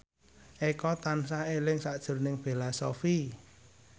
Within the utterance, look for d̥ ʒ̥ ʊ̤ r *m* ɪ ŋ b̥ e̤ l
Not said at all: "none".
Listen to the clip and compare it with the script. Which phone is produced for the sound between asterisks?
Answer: n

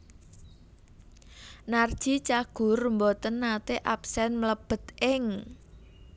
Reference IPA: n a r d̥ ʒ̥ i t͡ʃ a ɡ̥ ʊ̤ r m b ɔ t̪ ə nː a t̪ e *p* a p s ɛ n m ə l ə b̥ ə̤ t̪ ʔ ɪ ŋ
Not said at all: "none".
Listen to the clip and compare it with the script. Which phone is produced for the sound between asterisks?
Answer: ʔ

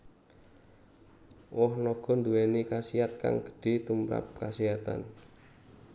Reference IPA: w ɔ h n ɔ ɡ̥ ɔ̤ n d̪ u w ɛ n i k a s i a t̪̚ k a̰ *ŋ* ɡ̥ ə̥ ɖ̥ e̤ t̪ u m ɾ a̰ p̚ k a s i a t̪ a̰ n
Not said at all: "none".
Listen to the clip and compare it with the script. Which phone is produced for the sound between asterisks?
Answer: ŋ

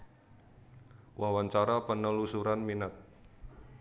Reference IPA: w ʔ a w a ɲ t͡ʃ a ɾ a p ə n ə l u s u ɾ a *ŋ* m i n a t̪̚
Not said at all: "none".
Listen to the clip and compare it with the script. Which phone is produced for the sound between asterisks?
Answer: n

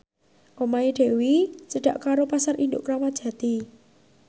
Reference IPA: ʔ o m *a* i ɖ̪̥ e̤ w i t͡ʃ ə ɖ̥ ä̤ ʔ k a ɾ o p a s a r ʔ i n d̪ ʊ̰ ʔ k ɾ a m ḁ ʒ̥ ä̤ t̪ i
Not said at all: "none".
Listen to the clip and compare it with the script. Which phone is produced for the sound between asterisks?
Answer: a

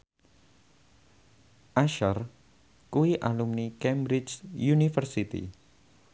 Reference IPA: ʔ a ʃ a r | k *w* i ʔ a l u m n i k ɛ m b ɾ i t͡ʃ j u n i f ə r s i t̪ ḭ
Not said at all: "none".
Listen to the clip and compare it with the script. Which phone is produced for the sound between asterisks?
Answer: u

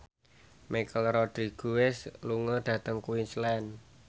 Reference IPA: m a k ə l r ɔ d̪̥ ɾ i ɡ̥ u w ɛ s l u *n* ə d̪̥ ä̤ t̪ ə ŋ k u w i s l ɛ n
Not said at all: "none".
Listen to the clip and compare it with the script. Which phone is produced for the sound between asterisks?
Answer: ŋ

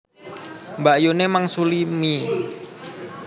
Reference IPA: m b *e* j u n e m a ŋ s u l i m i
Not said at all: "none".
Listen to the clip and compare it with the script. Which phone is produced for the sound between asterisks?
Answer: a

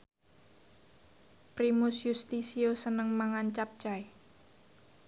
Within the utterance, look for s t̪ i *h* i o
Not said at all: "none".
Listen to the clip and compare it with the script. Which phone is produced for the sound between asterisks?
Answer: s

